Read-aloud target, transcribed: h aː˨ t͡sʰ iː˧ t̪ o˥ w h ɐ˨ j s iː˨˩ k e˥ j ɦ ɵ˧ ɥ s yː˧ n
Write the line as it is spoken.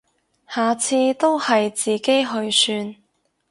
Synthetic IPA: h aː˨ t͡sʰ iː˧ t̪ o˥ w h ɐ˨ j t͡s iː˨˩ k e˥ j ɦ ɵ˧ ɥ s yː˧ n